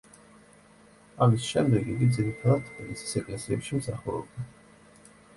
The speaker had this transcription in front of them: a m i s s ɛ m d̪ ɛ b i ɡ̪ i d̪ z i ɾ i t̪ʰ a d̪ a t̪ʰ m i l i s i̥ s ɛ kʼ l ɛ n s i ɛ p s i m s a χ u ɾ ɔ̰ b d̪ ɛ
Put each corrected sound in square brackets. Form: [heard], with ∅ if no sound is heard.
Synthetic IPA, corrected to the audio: a m i s [ʃ] ɛ m d̪ ɛ [ɡ] i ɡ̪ i d̪ z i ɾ i t̪ʰ a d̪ a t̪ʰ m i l i s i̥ s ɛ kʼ l ɛ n s i ɛ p [ʃ] i m s a χ u ɾ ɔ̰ b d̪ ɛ